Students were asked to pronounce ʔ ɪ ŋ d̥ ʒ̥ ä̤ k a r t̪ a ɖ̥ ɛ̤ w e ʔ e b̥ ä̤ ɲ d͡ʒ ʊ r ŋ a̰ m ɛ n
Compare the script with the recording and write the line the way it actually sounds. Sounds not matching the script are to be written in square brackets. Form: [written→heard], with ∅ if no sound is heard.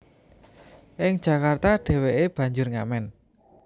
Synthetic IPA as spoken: ʔ ɪ ŋ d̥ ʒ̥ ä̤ k a r t̪ a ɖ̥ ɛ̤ w e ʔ e b̥ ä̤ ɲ d͡ʒ ʊ r ŋ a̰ m ɛ n